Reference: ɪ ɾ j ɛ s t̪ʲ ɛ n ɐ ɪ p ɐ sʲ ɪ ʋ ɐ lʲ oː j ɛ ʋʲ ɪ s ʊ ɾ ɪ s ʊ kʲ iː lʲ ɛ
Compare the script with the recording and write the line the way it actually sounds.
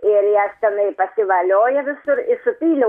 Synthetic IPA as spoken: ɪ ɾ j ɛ s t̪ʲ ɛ n ɐ ɪ p ɐ sʲ ɪ ʋ ɐ lʲ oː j ɛ ʋʲ ɪ s ʊ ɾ ɪ s ʊ pʲ iː lʲ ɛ